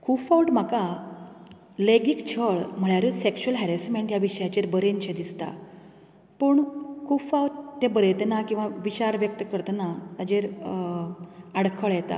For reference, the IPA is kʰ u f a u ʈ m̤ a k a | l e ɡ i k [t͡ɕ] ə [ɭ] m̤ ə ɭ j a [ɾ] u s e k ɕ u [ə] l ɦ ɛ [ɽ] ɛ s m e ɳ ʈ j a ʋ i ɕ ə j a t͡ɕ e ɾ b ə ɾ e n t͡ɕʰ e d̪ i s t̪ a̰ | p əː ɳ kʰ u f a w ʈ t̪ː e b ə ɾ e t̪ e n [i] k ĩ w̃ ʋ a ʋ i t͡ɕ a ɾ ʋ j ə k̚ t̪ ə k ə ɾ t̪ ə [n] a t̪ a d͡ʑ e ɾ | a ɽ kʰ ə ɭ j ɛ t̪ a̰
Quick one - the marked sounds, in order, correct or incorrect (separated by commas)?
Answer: incorrect, correct, correct, correct, incorrect, incorrect, correct